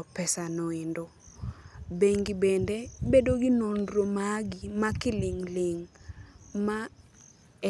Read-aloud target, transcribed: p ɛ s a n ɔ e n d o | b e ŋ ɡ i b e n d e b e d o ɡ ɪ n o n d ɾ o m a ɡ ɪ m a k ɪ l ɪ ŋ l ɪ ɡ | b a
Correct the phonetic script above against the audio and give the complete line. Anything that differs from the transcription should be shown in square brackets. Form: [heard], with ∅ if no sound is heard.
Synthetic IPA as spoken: p ɛ s a n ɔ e n d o | b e ŋ ɡ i b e n d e b e d o ɡ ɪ n o n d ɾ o m a ɡ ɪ m a k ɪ l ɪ ŋ l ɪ [ŋ] | [m] a